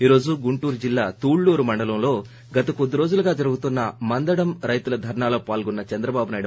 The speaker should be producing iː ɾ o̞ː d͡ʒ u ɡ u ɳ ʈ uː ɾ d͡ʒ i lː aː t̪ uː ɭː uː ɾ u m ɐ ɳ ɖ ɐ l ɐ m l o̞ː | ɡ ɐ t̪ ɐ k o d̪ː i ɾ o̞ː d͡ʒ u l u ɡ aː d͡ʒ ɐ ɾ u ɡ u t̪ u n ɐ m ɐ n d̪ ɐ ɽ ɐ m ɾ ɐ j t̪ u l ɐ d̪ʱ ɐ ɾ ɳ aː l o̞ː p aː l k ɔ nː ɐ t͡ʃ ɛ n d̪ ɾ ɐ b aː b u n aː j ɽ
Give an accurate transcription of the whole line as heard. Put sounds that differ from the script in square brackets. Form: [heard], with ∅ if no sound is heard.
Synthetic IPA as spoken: iː ɾ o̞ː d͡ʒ u ɡ u ɳ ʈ uː ɾ d͡ʒ i lː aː t̪ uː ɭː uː ɾ u m ɐ ɳ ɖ ɐ l ɐ m l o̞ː | ɡ ɐ t̪ ɐ k o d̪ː i ɾ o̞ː d͡ʒ u l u ɡ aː d͡ʒ ɐ ɾ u ɡ u t̪ u [nː] ɐ m ɐ n d̪ ɐ ɽ ɐ m ɾ ɐ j t̪ u l ɐ d̪ʱ ɐ ɾ ɳ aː l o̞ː p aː l [ɡ] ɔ nː ɐ t͡ʃ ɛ n d̪ ɾ ɐ b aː b u n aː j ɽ